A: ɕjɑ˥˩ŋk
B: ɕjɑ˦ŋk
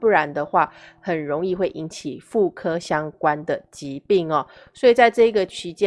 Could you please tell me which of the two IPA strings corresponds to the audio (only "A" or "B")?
B